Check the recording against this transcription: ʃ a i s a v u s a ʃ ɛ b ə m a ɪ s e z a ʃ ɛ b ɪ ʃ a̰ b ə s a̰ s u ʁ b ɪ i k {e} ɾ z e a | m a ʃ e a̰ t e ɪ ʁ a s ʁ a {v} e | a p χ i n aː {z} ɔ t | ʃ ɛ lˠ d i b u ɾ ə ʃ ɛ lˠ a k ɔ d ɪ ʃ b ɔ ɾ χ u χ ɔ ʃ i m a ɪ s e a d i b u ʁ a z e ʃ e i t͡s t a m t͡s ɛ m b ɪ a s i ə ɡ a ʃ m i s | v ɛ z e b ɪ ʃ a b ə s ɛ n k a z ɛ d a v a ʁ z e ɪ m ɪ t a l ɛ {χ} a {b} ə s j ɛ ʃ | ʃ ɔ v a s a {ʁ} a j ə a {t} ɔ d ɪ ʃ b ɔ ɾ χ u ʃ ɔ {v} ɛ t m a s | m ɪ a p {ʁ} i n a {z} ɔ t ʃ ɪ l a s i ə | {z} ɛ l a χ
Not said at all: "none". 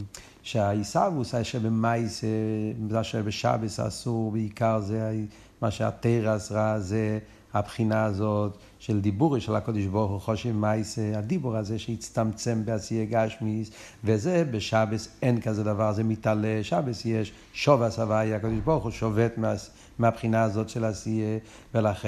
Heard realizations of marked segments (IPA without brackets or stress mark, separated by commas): a, z, z, ʃ, b, v, k, v, χ, z, v